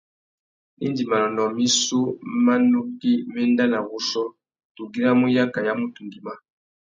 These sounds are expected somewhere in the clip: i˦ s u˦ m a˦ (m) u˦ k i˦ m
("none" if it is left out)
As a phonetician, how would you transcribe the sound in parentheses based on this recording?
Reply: n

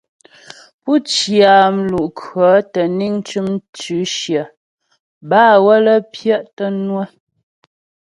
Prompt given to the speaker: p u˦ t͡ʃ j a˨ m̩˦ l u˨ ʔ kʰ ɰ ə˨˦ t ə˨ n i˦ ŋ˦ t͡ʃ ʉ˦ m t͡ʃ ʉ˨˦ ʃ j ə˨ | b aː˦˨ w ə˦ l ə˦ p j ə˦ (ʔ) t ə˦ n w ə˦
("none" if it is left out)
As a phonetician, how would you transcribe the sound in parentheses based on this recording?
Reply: ʔ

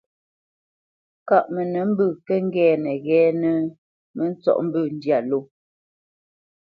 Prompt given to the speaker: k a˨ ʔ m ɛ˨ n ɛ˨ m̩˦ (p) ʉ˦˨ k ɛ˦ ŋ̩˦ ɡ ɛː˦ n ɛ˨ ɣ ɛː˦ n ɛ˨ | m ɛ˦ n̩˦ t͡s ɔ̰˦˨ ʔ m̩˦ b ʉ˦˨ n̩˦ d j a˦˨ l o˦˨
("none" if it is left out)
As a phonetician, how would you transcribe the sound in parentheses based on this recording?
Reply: b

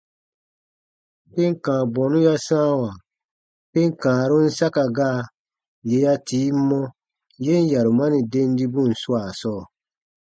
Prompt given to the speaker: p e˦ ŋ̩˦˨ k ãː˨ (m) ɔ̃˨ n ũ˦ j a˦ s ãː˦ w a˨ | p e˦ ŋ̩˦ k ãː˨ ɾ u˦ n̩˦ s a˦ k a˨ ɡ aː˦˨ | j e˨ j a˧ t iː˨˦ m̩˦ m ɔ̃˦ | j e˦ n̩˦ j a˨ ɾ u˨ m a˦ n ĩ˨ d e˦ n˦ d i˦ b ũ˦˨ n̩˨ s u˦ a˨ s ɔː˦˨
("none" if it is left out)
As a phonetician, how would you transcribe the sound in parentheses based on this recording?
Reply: b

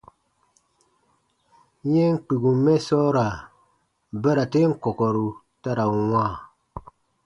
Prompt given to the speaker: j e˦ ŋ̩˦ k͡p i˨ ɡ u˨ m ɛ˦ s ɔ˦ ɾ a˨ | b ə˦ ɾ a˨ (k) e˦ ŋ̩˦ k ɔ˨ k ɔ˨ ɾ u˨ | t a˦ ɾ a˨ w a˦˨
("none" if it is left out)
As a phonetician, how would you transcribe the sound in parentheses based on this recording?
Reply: t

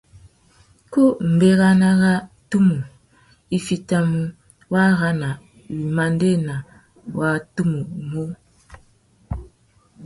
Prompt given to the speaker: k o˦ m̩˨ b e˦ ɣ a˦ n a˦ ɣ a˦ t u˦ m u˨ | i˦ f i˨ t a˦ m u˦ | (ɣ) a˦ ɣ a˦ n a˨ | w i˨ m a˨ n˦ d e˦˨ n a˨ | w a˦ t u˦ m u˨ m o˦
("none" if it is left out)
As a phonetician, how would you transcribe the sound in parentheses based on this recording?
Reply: w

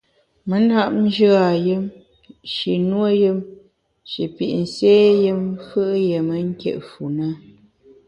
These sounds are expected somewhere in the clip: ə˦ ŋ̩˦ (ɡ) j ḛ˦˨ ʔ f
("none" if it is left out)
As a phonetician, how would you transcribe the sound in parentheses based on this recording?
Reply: k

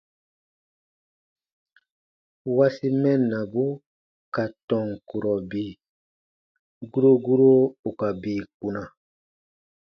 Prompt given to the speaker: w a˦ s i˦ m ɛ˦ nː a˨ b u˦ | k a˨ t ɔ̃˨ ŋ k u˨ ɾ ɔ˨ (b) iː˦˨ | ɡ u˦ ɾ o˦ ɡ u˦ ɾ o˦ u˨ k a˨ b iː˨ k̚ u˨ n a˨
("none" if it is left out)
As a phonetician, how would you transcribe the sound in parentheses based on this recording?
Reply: b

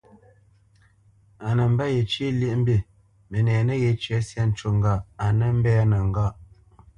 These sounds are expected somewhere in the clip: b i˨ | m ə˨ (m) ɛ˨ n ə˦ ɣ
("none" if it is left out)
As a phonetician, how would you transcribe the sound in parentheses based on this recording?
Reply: n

